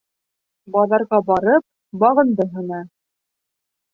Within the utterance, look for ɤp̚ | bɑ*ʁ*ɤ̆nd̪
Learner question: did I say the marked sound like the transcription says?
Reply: yes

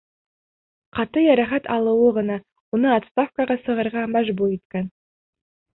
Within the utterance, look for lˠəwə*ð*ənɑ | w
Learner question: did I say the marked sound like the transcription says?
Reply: no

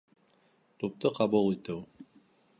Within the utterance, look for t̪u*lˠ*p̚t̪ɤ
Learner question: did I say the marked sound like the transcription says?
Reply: no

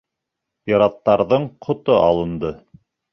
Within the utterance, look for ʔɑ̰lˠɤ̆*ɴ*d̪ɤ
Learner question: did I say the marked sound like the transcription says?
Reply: no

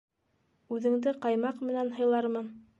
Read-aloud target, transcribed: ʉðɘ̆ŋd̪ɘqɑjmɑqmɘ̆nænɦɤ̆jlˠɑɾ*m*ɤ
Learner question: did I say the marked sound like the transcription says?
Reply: yes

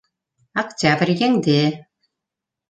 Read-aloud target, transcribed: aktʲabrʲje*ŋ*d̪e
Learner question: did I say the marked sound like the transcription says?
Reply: yes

